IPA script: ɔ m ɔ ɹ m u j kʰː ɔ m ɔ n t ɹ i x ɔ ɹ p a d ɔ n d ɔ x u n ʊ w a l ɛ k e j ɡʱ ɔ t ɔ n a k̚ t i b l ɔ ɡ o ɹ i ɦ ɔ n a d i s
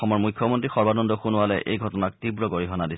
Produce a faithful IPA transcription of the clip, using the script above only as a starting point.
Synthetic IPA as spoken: ɔ m ɔ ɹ m u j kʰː ɔ m ɔ n t ɹ i x ɔ ɹ b a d ɔ n d ɔ x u n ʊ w a l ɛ ʔ e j ɡʱ ɔ t ɔ n a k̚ t i b ɹ ɔ ɡ o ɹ i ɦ ɔ n a d i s